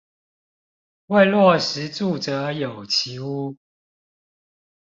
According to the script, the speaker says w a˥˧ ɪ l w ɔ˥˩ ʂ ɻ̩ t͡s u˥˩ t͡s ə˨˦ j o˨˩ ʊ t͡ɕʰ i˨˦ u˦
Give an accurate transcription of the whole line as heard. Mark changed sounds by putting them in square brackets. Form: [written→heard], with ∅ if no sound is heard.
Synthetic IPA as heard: w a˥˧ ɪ l w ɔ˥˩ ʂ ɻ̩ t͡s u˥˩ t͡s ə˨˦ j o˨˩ ʊ t͡ɕʰ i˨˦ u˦